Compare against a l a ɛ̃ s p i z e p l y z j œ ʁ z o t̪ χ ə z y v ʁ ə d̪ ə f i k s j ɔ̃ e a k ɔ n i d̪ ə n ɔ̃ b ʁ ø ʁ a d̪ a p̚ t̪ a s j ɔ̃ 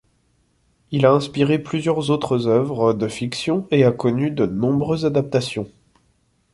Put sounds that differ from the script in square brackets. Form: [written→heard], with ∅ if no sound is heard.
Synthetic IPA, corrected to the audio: [a→i] l a ɛ̃ s p i [z→ʁ] e p l y z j œ ʁ z o t̪ χ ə z [y→œ] v ʁ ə d̪ ə f i k s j ɔ̃ e a k ɔ n [i→y] d̪ ə n ɔ̃ b ʁ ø [ʁ→z] a d̪ a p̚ t̪ a s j ɔ̃